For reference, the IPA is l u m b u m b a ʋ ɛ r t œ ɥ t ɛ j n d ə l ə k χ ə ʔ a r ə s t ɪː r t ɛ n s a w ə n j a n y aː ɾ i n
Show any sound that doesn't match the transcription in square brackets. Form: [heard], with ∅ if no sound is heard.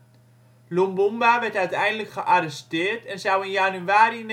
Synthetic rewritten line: l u m b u m b a ʋ ɛ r t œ ɥ t ɛ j n d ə l ə k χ ə ʔ a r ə s t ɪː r t ɛ n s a w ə n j a n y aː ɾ i n